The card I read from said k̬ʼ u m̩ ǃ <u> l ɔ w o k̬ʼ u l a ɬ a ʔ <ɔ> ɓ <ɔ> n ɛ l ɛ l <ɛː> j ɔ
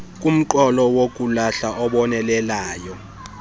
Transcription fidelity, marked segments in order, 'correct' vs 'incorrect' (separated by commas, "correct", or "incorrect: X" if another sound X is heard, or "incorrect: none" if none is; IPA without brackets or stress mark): incorrect: ɔ, correct, correct, incorrect: aː